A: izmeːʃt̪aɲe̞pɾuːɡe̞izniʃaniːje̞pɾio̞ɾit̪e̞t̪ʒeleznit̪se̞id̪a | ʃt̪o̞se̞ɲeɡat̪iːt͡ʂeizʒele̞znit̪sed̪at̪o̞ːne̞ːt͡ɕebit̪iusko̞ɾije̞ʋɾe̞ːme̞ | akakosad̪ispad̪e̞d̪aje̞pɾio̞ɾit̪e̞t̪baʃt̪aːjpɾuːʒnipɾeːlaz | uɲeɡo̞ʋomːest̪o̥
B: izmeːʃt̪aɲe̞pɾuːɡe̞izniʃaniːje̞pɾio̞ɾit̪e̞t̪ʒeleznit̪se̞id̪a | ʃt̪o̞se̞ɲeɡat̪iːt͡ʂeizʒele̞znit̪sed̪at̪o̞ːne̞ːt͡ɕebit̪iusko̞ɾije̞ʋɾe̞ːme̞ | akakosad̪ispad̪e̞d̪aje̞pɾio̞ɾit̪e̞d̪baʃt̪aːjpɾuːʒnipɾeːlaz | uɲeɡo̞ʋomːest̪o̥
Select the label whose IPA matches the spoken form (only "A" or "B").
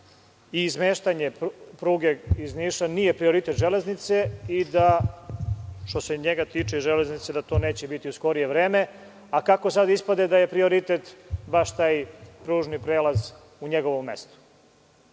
A